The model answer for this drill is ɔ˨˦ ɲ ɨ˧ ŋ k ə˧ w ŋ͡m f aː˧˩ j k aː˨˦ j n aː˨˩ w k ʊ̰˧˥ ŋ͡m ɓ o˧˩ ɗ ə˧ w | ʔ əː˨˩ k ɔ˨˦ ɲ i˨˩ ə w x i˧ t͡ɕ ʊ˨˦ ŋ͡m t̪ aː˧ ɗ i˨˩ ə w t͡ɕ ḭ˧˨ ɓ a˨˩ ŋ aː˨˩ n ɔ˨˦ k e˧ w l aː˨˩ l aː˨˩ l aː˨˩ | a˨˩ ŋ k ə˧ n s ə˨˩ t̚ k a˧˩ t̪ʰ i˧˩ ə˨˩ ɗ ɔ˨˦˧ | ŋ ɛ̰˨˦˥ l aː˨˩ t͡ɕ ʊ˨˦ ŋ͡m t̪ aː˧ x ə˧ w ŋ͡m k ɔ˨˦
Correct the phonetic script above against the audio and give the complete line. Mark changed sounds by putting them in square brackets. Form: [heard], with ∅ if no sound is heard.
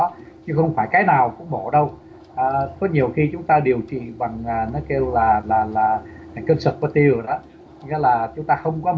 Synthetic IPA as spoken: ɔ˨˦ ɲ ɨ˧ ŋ [x] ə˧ w ŋ͡m f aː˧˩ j k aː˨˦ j n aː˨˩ w k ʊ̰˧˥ ŋ͡m ɓ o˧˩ ɗ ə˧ w | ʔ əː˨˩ k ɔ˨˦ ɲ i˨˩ ə w x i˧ t͡ɕ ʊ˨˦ ŋ͡m t̪ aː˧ ɗ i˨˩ ə w t͡ɕ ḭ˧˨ ɓ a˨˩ ŋ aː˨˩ n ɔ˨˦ k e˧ w l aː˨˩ l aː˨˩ l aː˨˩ | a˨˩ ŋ k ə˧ n s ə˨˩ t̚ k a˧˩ [t̪] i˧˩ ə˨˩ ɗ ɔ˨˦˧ | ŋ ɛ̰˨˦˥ l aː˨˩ t͡ɕ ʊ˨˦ ŋ͡m t̪ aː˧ x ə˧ w ŋ͡m k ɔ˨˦